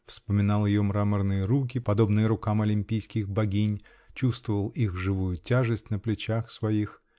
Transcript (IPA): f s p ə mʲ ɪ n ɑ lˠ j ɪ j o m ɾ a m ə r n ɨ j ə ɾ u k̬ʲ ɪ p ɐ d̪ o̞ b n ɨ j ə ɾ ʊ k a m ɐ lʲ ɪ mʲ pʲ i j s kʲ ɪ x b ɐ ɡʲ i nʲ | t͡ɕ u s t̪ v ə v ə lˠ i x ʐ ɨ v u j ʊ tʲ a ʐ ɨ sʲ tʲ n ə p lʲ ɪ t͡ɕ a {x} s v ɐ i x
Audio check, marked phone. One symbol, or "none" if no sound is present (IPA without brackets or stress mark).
x